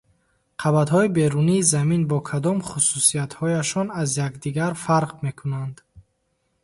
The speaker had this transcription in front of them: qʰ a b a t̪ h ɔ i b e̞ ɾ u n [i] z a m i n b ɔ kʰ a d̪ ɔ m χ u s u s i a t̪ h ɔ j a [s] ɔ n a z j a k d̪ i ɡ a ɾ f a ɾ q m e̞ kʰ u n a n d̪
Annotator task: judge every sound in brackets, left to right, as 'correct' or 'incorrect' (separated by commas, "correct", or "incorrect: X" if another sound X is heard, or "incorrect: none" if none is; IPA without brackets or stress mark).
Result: incorrect: iː, incorrect: ʃ